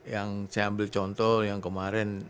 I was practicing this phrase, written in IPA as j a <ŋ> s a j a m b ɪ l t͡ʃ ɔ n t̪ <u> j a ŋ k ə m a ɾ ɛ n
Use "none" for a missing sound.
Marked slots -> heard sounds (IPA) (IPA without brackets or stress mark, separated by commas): ŋ, ɔ